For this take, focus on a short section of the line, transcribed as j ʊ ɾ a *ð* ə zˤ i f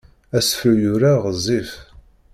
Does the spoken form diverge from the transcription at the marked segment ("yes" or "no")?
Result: yes